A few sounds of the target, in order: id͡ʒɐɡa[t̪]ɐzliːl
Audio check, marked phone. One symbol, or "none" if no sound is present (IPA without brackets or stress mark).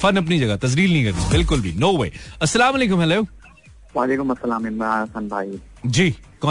t̪